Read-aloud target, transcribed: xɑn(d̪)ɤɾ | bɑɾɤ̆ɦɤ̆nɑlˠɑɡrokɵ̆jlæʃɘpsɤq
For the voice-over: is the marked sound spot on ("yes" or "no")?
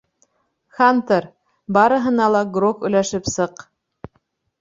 no